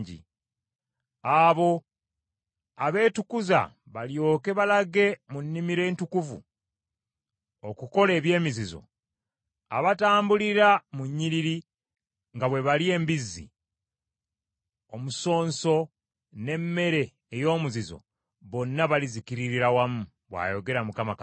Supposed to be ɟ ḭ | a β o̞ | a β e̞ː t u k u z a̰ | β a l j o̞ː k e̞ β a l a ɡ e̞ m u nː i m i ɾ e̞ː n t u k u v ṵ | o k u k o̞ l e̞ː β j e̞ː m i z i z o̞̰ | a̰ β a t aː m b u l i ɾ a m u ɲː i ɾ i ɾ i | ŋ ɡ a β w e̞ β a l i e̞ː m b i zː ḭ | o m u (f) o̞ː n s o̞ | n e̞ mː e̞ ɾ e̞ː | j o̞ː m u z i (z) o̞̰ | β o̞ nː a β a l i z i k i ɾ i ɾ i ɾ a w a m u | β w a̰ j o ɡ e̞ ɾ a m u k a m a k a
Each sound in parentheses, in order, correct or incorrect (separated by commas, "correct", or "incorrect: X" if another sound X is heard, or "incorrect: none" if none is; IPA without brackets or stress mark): incorrect: s, correct